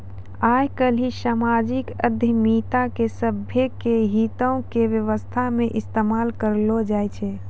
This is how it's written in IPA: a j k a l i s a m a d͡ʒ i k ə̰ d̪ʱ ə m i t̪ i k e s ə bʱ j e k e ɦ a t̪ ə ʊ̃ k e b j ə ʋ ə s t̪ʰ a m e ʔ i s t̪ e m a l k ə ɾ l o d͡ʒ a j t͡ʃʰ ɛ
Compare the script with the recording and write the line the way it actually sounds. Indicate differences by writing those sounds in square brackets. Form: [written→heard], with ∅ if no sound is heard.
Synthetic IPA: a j k [a→ə] l i s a m a d͡ʒ i k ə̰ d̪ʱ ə m i t̪ [i→a] k e s ə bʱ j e k e ɦ [a→i] t̪ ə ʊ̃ k e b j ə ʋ ə s t̪ʰ a m e ʔ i s t̪ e m a l k ə ɾ l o d͡ʒ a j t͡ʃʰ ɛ